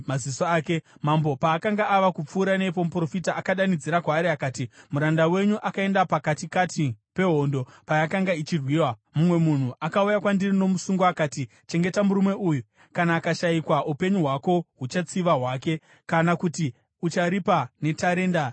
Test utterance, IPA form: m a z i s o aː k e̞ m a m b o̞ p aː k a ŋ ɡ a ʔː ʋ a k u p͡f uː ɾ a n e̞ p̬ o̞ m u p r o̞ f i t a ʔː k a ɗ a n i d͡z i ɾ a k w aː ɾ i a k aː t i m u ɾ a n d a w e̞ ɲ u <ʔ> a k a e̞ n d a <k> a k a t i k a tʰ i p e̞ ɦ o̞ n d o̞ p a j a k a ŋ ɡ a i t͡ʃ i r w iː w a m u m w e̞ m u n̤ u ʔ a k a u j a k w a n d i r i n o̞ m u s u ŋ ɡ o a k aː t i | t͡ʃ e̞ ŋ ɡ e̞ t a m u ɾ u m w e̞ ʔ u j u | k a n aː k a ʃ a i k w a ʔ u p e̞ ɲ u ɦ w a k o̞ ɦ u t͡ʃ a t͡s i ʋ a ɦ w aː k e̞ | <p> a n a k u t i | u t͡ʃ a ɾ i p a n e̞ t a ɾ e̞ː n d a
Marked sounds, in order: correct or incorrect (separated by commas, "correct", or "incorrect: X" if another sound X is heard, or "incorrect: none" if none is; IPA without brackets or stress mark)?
correct, incorrect: p, incorrect: k